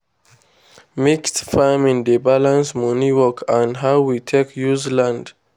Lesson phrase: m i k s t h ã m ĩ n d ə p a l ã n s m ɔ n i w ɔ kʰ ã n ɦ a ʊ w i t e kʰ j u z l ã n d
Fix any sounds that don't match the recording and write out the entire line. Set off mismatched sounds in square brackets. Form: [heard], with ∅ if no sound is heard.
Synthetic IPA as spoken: m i k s t [f] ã m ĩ n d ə [b] a l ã n s m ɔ n i w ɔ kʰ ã n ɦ a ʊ w i [tʰ] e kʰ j u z l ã n d